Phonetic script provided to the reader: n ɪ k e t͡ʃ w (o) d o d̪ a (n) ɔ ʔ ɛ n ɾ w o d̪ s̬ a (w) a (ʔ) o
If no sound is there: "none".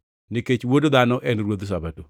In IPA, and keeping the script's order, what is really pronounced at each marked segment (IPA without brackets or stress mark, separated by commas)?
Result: o, n, b, t